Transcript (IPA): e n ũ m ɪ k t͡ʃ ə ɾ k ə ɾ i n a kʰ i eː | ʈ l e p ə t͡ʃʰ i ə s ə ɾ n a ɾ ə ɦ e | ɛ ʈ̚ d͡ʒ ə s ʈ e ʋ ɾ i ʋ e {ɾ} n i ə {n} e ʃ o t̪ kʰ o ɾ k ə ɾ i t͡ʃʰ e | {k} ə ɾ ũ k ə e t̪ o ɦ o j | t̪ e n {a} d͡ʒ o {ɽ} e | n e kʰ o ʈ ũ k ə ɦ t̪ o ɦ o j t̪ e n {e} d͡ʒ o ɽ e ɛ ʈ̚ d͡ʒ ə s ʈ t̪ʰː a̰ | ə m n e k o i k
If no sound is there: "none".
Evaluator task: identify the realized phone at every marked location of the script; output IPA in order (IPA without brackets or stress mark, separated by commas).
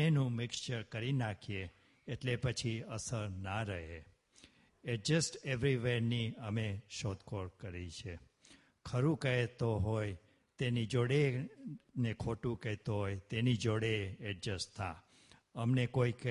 ɾ, m, kʰ, i, ɽ, i